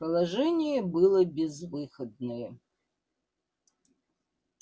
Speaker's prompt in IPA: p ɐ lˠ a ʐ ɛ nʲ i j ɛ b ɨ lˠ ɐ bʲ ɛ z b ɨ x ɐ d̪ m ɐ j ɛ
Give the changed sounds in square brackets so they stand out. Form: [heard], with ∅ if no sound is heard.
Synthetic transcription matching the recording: p ɐ lˠ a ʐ ɛ nʲ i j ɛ b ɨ lˠ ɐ bʲ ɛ z [v] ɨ x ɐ d̪ [n] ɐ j ɛ